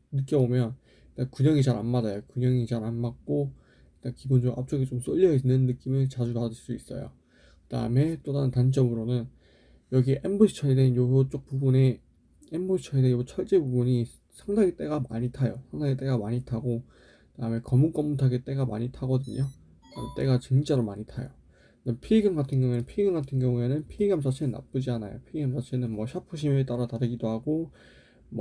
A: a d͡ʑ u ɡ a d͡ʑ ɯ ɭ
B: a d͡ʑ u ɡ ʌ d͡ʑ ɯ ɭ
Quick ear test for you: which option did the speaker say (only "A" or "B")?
A